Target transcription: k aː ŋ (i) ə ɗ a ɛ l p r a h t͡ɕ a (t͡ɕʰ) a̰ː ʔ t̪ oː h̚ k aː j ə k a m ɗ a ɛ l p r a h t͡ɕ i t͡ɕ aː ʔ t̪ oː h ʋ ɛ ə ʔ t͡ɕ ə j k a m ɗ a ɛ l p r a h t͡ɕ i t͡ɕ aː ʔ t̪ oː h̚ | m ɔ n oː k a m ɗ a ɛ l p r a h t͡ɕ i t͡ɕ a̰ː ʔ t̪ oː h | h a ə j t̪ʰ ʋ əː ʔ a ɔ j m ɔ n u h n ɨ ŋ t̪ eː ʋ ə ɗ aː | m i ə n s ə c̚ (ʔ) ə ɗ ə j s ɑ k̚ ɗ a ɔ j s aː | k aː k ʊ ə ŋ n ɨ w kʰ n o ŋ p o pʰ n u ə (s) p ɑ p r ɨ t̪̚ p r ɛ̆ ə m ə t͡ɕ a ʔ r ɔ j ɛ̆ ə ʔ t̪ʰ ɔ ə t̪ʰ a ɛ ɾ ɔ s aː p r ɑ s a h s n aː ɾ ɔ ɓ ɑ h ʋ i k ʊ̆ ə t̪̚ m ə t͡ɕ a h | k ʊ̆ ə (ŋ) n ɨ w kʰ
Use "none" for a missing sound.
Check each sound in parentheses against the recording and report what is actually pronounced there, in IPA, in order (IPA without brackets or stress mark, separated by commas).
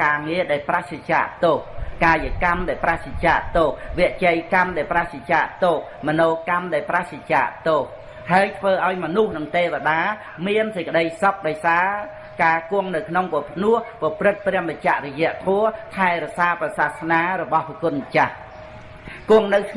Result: i, t͡ɕ, k, h, ŋ